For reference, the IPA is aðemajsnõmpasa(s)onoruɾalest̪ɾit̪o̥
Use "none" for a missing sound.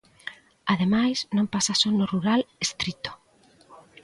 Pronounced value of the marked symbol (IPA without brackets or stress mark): s